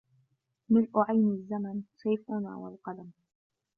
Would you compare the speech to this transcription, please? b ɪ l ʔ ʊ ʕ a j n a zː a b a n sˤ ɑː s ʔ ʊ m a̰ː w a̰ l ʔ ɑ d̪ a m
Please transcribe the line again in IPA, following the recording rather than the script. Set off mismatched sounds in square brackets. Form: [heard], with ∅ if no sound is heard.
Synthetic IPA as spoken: [m] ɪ l ʔ ʊ ʕ a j n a zː a [m] a n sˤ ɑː [f] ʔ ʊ [n] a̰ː w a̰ l [q] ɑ d̪ a m